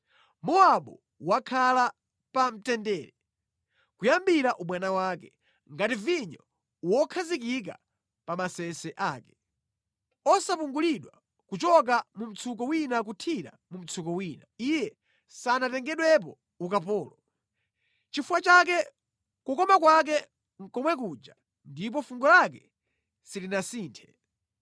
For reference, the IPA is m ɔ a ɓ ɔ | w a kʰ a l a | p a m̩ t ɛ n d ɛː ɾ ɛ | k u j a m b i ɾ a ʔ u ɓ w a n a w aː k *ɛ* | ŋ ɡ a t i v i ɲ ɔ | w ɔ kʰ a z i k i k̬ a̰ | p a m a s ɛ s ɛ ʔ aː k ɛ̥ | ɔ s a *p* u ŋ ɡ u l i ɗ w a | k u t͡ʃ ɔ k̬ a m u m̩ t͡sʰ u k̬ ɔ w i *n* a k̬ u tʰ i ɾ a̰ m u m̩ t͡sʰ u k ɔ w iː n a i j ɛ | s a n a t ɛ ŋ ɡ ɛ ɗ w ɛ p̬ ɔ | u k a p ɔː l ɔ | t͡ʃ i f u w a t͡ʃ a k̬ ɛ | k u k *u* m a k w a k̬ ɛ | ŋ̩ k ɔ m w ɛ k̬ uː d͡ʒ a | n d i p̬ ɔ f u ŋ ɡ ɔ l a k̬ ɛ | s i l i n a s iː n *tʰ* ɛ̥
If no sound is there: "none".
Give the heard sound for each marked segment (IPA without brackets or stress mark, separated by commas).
ɛ, p, n, ɔ, tʰ